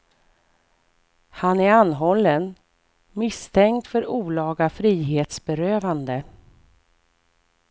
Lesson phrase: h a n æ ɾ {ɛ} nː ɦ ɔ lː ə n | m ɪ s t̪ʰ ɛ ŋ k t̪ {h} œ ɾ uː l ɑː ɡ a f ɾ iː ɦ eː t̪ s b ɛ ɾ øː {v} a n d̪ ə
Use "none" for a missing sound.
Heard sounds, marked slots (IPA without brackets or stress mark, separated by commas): a, f, v